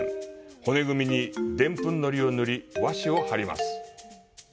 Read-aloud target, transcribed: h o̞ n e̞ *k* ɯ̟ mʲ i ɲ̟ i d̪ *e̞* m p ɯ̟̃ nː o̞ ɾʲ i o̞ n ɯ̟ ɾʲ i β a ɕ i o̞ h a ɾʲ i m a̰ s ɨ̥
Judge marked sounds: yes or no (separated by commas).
no, no